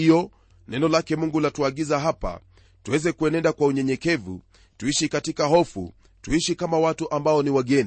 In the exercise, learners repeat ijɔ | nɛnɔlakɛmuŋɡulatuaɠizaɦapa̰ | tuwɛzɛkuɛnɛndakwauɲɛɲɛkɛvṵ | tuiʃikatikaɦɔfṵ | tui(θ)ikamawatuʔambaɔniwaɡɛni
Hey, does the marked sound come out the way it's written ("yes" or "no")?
no